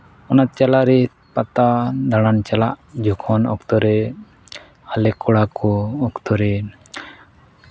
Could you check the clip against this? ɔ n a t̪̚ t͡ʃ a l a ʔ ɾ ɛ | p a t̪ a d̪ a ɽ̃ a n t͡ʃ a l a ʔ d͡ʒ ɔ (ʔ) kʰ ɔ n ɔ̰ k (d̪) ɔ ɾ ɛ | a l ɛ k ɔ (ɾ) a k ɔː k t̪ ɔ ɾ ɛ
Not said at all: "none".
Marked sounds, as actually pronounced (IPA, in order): none, t̪, ɽ

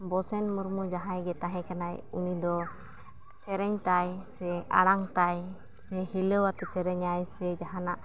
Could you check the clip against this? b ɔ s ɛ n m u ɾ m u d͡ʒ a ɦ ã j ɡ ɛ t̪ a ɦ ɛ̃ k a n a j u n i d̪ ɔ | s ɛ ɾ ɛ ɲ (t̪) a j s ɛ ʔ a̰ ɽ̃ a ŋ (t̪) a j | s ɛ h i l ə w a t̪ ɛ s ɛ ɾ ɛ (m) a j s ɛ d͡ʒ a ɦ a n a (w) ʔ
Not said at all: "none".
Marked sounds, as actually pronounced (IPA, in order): t̪, t̪, ɲ, none

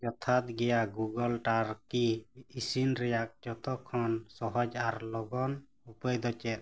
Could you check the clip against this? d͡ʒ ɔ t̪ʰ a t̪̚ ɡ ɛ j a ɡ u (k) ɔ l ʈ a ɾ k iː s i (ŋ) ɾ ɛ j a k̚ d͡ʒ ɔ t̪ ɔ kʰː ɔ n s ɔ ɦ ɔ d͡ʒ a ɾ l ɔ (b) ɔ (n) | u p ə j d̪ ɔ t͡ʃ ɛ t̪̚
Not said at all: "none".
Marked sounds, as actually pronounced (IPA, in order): ɡ, n, ɡ, n

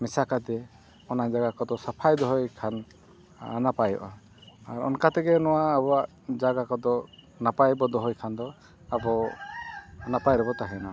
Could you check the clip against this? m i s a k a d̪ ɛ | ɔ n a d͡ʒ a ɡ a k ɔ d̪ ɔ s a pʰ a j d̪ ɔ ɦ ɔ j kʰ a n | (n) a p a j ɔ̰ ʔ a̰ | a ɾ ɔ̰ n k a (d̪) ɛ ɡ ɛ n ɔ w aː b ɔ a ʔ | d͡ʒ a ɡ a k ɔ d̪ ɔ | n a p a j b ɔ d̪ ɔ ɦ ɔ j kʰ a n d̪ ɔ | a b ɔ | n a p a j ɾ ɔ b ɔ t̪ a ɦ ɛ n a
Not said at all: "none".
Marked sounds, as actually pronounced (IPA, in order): n, t̪

